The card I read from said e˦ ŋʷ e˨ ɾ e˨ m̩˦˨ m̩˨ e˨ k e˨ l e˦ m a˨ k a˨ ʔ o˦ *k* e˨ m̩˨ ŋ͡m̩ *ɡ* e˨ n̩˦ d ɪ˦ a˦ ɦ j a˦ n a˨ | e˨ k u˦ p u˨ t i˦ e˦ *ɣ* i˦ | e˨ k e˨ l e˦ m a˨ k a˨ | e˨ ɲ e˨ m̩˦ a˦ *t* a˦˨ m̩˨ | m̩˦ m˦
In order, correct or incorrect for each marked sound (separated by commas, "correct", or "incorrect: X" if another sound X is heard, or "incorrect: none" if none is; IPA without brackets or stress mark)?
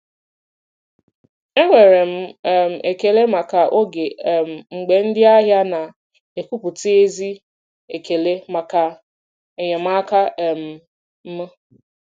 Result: incorrect: ɡ, incorrect: ɡ͡b, incorrect: z, incorrect: k